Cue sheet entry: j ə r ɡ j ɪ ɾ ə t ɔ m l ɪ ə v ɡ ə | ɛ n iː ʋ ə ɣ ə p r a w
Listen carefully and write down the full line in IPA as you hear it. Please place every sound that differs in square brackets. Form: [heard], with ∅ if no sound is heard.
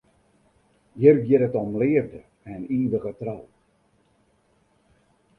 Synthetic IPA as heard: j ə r ɡ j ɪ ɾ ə t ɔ m l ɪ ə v [d] ə | ɛ n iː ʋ ə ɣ ə [t] r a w